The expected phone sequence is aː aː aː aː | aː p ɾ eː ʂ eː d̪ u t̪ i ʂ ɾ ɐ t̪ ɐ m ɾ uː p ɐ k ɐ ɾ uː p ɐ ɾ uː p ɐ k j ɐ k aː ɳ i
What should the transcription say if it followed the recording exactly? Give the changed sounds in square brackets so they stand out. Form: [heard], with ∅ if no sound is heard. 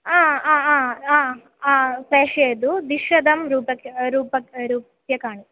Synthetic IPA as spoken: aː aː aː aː | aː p ɾ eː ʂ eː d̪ u [d̪] i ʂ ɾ ɐ [d̪] ɐ m ɾ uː p ɐ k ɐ ɾ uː p ɐ ɾ uː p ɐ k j ɐ k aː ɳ i